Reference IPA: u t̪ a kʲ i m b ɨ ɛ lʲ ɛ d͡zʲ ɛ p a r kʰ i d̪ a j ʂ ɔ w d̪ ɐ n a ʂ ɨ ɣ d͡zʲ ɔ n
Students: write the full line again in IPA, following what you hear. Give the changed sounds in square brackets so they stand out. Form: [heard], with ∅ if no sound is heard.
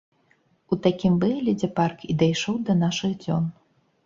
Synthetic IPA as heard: u t̪ a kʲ i m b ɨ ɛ lʲ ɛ d͡zʲ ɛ p a r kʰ i d̪ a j ʂ ɔ w d̪ ɐ n a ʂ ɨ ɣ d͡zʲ ɔ n